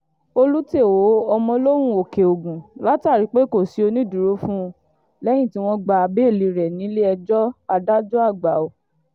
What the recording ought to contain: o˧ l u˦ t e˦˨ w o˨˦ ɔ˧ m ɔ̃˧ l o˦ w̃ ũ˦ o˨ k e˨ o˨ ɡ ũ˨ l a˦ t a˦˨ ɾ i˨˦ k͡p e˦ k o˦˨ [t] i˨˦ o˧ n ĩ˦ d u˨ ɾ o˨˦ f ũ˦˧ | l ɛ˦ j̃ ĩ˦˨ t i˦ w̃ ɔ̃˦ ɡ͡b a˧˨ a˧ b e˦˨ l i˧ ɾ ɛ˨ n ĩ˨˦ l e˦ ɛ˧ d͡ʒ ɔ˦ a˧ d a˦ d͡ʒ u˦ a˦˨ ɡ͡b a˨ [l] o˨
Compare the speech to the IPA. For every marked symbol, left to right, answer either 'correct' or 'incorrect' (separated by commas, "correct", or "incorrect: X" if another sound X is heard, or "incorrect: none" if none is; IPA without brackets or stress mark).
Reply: incorrect: s, incorrect: none